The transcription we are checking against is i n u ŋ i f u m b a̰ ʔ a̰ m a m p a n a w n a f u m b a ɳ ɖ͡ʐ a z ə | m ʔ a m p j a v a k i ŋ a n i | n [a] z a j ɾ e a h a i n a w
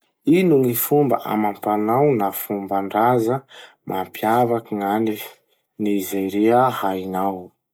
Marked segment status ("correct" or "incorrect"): incorrect